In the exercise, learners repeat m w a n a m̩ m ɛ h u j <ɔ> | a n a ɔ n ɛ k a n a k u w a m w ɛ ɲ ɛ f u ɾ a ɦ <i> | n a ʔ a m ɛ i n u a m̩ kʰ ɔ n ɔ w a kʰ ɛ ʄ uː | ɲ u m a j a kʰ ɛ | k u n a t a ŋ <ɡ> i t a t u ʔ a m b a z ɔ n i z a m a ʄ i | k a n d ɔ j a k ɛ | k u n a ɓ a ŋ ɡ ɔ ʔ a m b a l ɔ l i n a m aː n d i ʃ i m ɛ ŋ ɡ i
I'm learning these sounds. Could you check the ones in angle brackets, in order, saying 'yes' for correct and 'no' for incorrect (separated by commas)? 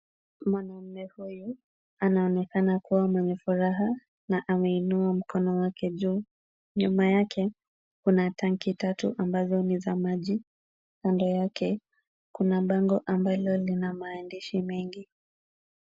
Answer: no, no, no